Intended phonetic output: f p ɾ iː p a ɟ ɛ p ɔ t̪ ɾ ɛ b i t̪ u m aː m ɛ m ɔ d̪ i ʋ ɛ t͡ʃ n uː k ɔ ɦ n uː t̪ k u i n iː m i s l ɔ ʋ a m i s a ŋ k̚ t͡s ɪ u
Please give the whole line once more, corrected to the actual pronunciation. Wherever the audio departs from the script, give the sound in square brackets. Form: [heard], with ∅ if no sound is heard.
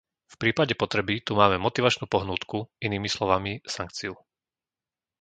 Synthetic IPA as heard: f p ɾ iː p a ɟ ɛ p ɔ t̪ ɾ ɛ b i t̪ u m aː m ɛ m ɔ [t̪] i ʋ [a] t͡ʃ n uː [p] ɔ ɦ n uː t̪ k u i n iː m i s l ɔ ʋ a m i s a ŋ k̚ t͡s [i] u